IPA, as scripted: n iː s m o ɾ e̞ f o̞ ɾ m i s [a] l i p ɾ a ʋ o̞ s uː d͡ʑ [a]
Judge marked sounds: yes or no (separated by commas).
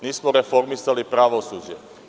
yes, no